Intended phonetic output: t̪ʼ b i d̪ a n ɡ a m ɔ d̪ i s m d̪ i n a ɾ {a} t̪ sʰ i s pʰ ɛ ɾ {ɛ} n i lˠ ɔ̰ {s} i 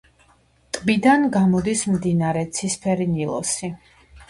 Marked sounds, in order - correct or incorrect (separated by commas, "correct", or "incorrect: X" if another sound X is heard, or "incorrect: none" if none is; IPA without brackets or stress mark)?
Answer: incorrect: ɛ, incorrect: i, correct